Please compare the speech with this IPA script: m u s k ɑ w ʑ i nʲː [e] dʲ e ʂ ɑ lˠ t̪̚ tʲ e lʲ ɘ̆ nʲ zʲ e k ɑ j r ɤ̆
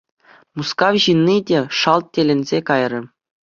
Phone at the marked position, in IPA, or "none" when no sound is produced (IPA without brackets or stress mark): i